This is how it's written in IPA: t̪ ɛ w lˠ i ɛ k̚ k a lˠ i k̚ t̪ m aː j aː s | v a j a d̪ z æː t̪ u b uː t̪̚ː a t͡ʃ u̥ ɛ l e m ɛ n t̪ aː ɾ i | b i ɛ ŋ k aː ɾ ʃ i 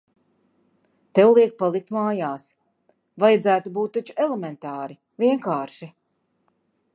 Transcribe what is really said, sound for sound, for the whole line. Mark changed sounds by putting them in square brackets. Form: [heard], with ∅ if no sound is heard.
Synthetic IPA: t̪ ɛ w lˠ i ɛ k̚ [p] a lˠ i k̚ t̪ m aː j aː s | v a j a d̪ z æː t̪ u b uː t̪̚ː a t͡ʃ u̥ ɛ l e m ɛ n t̪ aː ɾ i | [v] i ɛ ŋ k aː ɾ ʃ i